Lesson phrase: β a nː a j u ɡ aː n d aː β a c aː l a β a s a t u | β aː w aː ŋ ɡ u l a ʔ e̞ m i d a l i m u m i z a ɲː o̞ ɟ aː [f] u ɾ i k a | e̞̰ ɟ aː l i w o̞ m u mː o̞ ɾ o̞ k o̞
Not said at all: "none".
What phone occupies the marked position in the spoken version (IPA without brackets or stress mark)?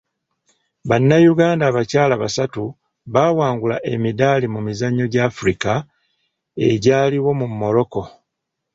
f